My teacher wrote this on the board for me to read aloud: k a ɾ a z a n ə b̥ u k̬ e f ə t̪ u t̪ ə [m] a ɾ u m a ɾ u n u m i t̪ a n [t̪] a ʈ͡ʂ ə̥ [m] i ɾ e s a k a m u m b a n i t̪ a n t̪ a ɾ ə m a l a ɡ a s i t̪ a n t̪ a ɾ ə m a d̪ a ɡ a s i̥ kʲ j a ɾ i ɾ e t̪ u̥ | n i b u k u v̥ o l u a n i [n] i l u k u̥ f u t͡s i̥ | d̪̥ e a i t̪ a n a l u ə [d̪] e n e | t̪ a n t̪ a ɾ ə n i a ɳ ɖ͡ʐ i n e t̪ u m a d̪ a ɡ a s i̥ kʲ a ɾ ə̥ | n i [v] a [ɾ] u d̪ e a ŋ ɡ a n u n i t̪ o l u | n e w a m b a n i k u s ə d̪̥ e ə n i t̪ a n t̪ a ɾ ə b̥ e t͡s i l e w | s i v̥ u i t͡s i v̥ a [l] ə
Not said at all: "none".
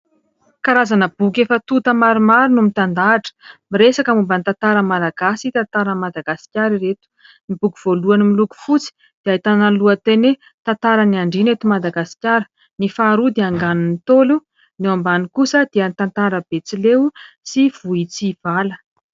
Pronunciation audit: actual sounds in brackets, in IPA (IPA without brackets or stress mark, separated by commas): m, d̪, m, m, t̪, f, ɾ, l